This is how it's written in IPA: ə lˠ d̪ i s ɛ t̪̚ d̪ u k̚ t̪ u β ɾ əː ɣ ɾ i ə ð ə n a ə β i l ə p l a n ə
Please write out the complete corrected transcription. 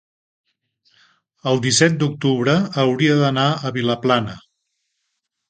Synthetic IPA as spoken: ə lˠ d̪ i s ɛ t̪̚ d̪ u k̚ t̪ u β ɾ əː w ɾ i ə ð ə n a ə β i l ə p l a n ə

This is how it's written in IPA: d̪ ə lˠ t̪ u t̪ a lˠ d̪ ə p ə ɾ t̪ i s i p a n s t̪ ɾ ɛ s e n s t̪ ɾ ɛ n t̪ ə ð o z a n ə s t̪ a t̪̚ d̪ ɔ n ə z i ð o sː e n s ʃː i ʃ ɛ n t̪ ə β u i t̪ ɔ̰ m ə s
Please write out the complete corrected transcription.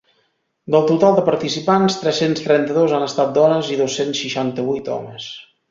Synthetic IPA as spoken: d̪ ə lˠ t̪ u t̪ a lˠ d̪ ə p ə ɾ t̪ i s i p a n s t̪ ɾ ɛ s e n s t̪ ɾ ɛ n t̪ ə ð o z a n ə s t̪ a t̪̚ d̪ ɔ n ə z i ð o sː e n s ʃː i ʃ a n t̪ ə β u j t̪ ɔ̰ m ə s

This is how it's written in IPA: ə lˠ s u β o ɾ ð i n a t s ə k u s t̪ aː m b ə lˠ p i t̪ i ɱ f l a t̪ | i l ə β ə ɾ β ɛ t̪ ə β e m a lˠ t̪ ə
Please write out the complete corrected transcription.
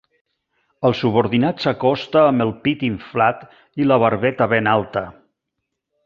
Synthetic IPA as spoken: ə lˠ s u β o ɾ ð i n a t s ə k ɔ s t̪ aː m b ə lˠ p i t̪ i ɱ f l a t̪ | i l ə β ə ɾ β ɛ t̪ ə β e n a lˠ t̪ ə

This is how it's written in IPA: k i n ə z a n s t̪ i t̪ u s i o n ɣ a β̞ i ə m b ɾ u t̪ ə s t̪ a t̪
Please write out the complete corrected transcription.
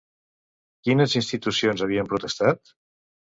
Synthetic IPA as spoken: k i n ə z i n s t̪ i t̪ u s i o n z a β̞ i ə m p ɾ u t̪ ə s t̪ a t̪

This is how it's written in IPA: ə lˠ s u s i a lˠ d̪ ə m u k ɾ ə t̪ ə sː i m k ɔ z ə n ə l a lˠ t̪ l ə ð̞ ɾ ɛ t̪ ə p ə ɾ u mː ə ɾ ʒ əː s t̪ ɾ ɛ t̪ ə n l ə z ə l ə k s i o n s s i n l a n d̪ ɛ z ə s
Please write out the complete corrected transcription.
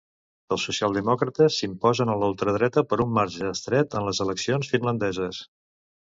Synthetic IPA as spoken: ə lˠ s u s i a lˠ d̪ ə m ɔ k ɾ ə t̪ ə sː i m p ɔ z ə n ə l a lˠ t̪ ɾ ə ð̞ ɾ ɛ t̪ ə p ə ɾ u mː a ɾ ʒ əː s t̪ ɾ ɛ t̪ ə n l ə z ə l ə k s i o n s f i n l ə n d̪ ɛ z ə s

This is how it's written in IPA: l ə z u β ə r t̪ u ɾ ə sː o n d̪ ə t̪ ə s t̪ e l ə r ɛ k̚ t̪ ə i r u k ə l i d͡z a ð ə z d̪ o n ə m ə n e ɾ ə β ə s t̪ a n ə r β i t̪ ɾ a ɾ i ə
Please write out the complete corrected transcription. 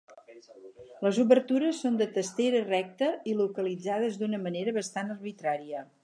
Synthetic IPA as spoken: l ə z u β ə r t̪ u ɾ ə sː o n d̪ ə t̪ ə s t̪ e ɾ ə r ɛ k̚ t̪ ə i l u k ə l i d͡z a ð ə z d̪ u n ə m ə n e ɾ ə β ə s t̪ a n ə r β i t̪ ɾ a ɾ i ə

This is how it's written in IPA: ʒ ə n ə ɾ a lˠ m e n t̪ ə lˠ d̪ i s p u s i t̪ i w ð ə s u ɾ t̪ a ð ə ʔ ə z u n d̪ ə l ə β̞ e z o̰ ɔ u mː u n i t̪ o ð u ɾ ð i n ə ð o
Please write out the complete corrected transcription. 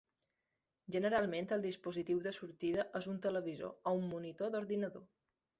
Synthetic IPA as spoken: ʒ ə n ə ɾ a lˠ m e n t̪ ə lˠ d̪ i s p u z i t̪ i w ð ə s u ɾ t̪ i ð ə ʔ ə z u n t̪ ə l ə β̞ i z o̰ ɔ u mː u n i t̪ o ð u ɾ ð i n ə ð o

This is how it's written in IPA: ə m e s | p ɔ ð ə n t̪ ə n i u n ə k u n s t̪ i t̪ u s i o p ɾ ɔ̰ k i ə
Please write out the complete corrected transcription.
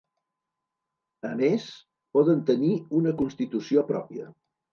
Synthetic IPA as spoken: ə m e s | p ɔ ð ə n t̪ ə n i u n ə k u n s t̪ i t̪ u s i o p ɾ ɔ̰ p i ə

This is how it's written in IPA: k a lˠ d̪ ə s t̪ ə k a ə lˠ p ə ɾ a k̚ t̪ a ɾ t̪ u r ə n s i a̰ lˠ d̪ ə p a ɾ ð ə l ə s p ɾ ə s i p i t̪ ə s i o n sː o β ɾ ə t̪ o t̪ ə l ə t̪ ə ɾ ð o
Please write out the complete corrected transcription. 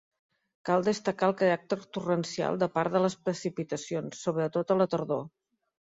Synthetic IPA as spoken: k a lˠ d̪ ə s t̪ ə k a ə lˠ k ə ɾ a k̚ t̪ ə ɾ t̪ u r ə n s i a̰ lˠ d̪ ə p a ɾ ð ə l ə s p ɾ ə s i p i t̪ ə s i o n sː o β ɾ ə t̪ o t̪ ə l ə t̪ ə ɾ ð o

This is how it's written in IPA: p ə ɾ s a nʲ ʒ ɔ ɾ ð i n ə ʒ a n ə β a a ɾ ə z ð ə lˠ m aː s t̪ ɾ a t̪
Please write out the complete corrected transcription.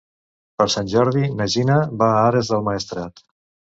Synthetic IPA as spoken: p ə ɾ s a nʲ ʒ ɔ ɾ ð i n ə ʒ i n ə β a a ɾ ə z ð ə lˠ m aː s t̪ ɾ a t̪

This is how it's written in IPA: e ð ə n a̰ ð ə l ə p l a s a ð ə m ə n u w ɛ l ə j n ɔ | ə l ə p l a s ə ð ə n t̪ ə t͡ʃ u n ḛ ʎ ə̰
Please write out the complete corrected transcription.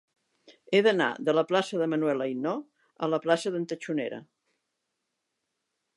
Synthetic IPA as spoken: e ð ə n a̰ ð ə l ə p l a s ə ð ə m ə n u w ɛ l ə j n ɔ | ə l ə p l a s ə ð ə n t̪ ə t͡ʃ u n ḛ ɾ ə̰

